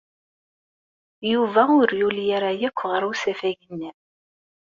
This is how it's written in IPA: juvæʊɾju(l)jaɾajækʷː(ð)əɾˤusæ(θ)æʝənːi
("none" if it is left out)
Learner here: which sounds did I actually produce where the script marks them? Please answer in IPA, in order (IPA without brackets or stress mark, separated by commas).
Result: l, ʁ, f